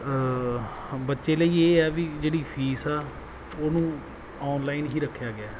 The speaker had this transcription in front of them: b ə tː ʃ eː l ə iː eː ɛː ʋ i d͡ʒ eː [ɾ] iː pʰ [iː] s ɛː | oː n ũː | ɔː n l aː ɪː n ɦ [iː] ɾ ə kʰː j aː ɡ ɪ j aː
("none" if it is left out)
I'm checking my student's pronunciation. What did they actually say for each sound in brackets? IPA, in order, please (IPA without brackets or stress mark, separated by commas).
ɽ, iː, iː